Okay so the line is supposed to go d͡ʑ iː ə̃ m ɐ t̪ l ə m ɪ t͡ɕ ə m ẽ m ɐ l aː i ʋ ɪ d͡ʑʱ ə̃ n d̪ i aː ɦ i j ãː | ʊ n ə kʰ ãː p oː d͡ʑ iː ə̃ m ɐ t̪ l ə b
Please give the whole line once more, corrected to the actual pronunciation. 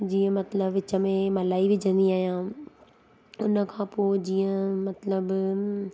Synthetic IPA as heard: d͡ʑ iː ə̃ m ɐ t̪ l ə b ɪ t͡ɕ ə m ẽ m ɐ l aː i ʋ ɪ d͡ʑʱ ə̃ n d̪ i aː ɦ i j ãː | ʊ n ə kʰ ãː p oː d͡ʑ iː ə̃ m ɐ t̪ l ə b